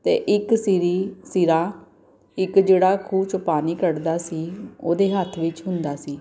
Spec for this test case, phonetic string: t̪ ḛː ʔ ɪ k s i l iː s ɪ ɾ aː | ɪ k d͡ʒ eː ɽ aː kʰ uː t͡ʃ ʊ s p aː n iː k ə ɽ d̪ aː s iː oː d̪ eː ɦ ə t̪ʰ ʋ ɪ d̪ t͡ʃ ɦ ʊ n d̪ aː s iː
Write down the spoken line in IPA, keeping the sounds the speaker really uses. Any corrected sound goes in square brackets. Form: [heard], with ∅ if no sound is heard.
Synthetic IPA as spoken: t̪ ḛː ʔ ɪ k s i [ɾ] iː s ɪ ɾ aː | ɪ k d͡ʒ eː ɽ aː kʰ uː t͡ʃ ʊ [∅] p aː n iː k ə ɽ d̪ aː s iː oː d̪ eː ɦ ə t̪ʰ ʋ ɪ [∅] t͡ʃ ɦ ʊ n d̪ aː s iː